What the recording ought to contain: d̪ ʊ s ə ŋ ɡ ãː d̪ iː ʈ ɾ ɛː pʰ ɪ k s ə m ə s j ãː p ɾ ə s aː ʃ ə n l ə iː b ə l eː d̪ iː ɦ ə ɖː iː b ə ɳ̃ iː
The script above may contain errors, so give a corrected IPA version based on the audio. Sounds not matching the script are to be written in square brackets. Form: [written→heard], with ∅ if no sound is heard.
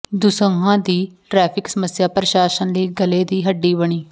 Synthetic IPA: d̪ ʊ s ə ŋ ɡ ãː d̪ iː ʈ ɾ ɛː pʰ ɪ k s ə m ə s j [ãː→aː] p ɾ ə [s→ʃ] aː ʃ ə n l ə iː [b→ɡ] ə l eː d̪ iː ɦ ə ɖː iː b ə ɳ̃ iː